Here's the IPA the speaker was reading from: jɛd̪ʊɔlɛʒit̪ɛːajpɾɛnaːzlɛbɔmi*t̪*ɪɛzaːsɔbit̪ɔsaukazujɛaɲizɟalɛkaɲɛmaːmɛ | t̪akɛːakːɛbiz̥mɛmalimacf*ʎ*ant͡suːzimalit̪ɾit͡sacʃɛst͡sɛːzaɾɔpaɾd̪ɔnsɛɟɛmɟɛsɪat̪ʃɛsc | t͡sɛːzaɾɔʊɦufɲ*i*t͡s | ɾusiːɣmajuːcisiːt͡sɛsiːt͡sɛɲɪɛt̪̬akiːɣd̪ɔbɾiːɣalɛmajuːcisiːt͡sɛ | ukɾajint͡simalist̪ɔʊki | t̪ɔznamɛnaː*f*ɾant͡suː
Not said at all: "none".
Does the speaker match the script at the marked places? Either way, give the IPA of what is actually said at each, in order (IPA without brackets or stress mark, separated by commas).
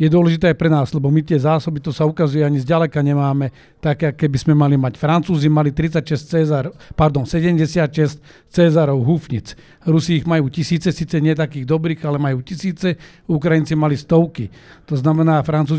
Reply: t̪, ɾ, i, f